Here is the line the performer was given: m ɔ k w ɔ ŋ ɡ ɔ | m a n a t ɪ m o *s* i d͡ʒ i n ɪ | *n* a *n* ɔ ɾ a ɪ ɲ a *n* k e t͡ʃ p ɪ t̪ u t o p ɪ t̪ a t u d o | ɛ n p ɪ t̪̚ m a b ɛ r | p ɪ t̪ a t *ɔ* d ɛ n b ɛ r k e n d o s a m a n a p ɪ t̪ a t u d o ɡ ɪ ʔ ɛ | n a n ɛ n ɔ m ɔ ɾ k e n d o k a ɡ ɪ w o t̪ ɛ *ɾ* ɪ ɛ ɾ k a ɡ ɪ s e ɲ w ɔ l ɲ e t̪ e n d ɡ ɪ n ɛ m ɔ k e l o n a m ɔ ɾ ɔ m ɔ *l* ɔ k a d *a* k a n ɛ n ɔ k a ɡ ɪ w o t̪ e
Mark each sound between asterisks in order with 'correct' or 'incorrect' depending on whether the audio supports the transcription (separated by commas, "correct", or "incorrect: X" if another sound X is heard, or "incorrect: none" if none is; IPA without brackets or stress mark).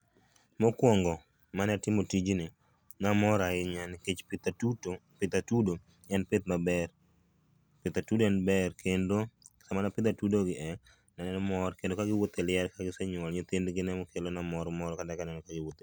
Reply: incorrect: t, correct, incorrect: m, correct, incorrect: u, incorrect: l, incorrect: ɾ, correct